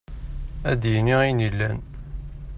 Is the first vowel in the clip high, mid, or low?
low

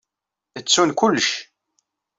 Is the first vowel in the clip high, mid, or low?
mid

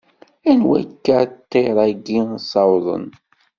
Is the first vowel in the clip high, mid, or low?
low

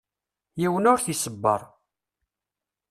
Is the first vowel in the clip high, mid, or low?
high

